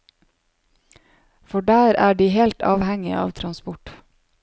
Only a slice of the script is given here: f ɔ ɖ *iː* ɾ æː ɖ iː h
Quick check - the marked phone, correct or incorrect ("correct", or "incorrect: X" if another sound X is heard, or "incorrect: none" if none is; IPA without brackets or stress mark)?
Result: incorrect: æː